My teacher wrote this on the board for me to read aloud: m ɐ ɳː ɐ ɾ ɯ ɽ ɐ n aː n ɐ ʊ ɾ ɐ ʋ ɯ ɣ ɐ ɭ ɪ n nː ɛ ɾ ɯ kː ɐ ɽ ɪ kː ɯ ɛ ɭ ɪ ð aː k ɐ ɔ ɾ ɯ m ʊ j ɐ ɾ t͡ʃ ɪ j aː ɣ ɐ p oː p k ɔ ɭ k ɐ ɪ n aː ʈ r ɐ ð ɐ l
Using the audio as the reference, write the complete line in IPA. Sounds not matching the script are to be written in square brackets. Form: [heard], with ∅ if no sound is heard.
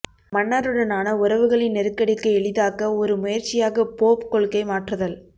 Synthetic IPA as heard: m ɐ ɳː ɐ ɾ ɯ ɽ ɐ n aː n ɐ ʊ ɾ ɐ ʋ ɯ ɣ ɐ ɭ ɪ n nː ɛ ɾ ɯ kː ɐ ɽ ɪ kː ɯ ɛ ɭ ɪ ð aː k ɐ ɔ ɾ ɯ m ʊ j ɐ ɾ t͡ʃ ɪ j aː ɣ ɐ p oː p k ɔ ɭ k ɐ ɪ [m] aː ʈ r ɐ ð ɐ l

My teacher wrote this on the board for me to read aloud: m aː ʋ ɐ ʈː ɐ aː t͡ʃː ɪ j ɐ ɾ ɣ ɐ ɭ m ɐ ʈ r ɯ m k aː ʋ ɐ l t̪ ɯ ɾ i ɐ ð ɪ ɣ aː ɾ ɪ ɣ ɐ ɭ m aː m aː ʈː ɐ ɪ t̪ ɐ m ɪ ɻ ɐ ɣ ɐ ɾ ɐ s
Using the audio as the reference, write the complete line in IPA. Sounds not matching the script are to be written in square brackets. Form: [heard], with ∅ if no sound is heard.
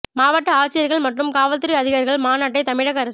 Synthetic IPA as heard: m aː ʋ ɐ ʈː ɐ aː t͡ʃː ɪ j ɐ ɾ ɣ ɐ ɭ m ɐ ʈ r ɯ m k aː ʋ ɐ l t̪ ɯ ɾ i ɐ ð ɪ ɣ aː ɾ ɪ ɣ ɐ ɭ m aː [n] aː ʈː ɐ ɪ t̪ ɐ m ɪ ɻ ɐ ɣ ɐ ɾ ɐ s

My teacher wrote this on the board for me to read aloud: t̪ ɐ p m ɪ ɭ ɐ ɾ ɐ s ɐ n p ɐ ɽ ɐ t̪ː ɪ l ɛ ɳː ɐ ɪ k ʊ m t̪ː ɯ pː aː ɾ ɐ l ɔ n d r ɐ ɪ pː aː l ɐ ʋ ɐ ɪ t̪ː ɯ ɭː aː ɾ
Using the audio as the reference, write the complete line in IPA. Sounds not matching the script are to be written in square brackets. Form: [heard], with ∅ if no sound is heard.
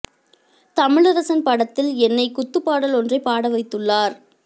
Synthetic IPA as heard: t̪ ɐ [∅] m ɪ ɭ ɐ ɾ ɐ s ɐ n p ɐ ɽ ɐ t̪ː ɪ l ɛ [nː] ɐ ɪ k ʊ [∅] t̪ː ɯ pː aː [ɽ] ɐ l ɔ n d r ɐ ɪ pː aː [ɽ] ɐ ʋ ɐ ɪ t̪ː ɯ ɭː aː ɾ

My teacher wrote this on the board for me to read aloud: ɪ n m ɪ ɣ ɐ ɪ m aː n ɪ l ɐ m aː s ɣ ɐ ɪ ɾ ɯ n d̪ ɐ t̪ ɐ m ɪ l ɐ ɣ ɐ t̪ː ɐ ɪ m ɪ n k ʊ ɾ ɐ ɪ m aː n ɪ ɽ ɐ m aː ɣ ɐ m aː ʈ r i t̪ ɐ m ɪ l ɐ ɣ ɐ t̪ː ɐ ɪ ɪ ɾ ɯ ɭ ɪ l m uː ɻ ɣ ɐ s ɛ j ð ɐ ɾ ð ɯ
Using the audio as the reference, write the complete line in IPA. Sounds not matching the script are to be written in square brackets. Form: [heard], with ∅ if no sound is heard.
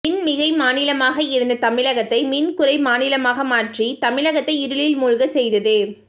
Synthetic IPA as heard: ɪ n m ɪ ɣ ɐ ɪ m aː n ɪ l ɐ m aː [∅] ɣ ɐ ɪ ɾ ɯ n d̪ ɐ t̪ ɐ m ɪ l ɐ ɣ ɐ t̪ː ɐ ɪ m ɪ n k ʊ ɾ ɐ ɪ m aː n ɪ [l] ɐ m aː ɣ ɐ m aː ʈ r i t̪ ɐ m ɪ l ɐ ɣ ɐ t̪ː ɐ ɪ ɪ ɾ ɯ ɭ ɪ l m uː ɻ ɣ ɐ s ɛ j ð ɐ [∅] ð ɯ

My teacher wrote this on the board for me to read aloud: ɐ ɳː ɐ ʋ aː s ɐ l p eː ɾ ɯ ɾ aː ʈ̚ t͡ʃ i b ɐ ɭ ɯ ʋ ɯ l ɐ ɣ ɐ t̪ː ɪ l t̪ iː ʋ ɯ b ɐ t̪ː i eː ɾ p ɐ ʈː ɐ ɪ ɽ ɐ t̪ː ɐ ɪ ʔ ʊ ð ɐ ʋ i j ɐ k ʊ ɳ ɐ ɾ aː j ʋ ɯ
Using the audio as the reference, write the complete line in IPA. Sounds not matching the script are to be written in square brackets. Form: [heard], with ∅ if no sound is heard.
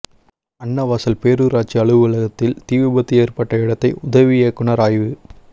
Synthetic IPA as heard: ɐ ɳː ɐ ʋ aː s ɐ l p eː ɾ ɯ ɾ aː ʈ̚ t͡ʃ i [∅] ɐ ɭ ɯ ʋ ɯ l ɐ ɣ ɐ t̪ː ɪ l t̪ iː ʋ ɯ b ɐ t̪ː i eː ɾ p ɐ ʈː ɐ ɪ ɽ ɐ t̪ː ɐ ɪ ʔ ʊ ð ɐ ʋ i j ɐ k ʊ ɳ ɐ ɾ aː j ʋ ɯ

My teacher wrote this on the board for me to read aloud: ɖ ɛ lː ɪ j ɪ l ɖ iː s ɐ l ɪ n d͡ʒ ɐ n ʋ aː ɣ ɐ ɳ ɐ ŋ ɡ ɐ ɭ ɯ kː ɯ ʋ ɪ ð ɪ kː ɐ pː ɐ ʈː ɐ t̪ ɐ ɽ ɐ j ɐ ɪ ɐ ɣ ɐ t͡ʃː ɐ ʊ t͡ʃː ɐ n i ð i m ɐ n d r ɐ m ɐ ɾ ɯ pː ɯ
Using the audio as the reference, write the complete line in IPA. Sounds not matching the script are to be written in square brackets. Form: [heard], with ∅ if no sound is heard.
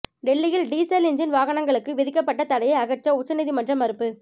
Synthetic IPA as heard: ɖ ɛ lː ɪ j ɪ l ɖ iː s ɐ l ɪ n d͡ʒ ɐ n ʋ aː ɣ ɐ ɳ ɐ ŋ ɡ ɐ ɭ ɯ kː ɯ ʋ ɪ ð ɪ kː ɐ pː ɐ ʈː ɐ t̪ ɐ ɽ ɐ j ɐ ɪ ɐ ɣ ɐ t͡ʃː ɐ ʊ t͡ʃː ɐ n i ð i m ɐ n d r ɐ m ɐ ɾ ɯ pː ɯ

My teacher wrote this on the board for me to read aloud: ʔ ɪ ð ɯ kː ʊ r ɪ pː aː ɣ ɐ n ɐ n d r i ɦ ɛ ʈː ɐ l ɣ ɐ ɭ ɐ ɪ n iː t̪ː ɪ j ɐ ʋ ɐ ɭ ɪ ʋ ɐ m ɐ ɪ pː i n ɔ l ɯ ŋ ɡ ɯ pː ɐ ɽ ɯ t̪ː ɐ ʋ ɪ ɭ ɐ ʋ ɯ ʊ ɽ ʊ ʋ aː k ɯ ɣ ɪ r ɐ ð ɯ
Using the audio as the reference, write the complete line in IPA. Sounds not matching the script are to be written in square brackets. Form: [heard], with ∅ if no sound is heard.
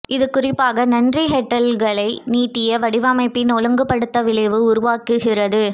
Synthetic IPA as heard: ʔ ɪ ð ɯ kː ʊ r ɪ pː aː ɣ ɐ n ɐ n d r i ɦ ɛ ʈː ɐ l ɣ ɐ ɭ ɐ ɪ n iː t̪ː ɪ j ɐ ʋ ɐ [ɽ] ɪ ʋ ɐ m ɐ ɪ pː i n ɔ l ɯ ŋ ɡ ɯ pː ɐ ɽ ɯ t̪ː ɐ ʋ ɪ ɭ ɐ ʋ ɯ ʊ [ɾ] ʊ ʋ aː k ɯ ɣ ɪ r ɐ ð ɯ

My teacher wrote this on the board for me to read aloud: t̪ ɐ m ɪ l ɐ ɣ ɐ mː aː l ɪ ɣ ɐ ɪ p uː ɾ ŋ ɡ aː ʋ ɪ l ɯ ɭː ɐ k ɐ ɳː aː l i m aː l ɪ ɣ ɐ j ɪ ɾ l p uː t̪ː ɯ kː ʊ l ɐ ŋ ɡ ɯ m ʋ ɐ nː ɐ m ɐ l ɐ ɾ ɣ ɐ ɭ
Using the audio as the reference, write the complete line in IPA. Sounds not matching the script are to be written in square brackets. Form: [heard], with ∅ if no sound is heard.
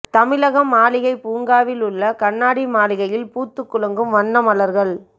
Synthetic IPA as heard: t̪ ɐ m ɪ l ɐ ɣ ɐ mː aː l ɪ ɣ ɐ ɪ p uː [∅] ŋ ɡ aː ʋ ɪ l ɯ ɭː ɐ k ɐ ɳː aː [ɽ] i m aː l ɪ ɣ ɐ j ɪ [∅] l p uː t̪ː ɯ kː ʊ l ɐ ŋ ɡ ɯ m ʋ ɐ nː ɐ m ɐ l ɐ ɾ ɣ ɐ ɭ

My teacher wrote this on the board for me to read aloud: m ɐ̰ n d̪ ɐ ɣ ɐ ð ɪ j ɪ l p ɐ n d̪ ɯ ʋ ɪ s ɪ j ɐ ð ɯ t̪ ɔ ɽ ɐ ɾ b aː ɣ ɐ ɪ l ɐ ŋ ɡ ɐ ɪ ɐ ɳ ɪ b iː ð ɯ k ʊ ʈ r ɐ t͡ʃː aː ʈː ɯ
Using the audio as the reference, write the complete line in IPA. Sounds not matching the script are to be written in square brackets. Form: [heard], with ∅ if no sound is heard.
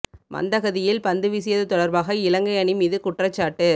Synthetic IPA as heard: m ɐ̰ n d̪ ɐ ɣ ɐ ð ɪ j ɪ l p ɐ n d̪ ɯ ʋ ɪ s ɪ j ɐ ð ɯ t̪ ɔ ɽ ɐ ɾ b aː ɣ ɐ ɪ l ɐ ŋ ɡ ɐ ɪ ɐ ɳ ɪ [m] iː ð ɯ k ʊ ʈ r ɐ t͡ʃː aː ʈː ɯ

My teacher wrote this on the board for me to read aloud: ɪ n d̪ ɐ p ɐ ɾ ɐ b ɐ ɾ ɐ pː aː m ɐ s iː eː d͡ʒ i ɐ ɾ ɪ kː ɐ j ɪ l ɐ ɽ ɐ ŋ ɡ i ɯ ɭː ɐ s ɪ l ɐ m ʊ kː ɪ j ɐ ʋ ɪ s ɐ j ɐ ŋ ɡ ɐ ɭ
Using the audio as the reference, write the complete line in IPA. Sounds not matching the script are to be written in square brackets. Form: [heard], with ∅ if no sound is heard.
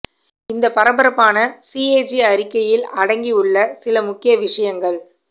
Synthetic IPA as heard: ɪ n d̪ ɐ p ɐ ɾ ɐ b ɐ ɾ ɐ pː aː [n] ɐ s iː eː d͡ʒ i ɐ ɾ ɪ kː ɐ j ɪ l ɐ ɽ ɐ ŋ ɡ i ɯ ɭː ɐ s ɪ l ɐ m ʊ kː ɪ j ɐ ʋ ɪ [ʂ] ɐ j ɐ ŋ ɡ ɐ ɭ

